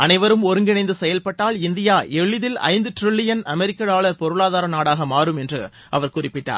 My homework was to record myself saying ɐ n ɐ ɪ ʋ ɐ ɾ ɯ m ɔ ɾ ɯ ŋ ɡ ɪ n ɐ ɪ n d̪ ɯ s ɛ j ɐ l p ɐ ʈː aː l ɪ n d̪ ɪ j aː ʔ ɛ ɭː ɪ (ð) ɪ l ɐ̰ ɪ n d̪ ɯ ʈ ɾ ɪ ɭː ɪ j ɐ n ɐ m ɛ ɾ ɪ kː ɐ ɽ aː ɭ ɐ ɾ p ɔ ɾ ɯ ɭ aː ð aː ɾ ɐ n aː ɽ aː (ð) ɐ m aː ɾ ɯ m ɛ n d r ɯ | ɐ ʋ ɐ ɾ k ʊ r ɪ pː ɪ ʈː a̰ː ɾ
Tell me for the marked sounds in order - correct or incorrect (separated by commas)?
correct, incorrect